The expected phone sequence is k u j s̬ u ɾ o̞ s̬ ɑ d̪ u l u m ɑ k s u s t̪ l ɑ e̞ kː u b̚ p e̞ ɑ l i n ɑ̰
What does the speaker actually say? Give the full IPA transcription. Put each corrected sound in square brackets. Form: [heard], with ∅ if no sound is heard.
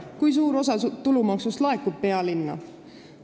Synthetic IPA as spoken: k u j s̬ [uː] ɾ o̞ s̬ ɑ [t̪] u l u m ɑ k s u s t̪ l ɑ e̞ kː u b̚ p e̞ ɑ l i [nː] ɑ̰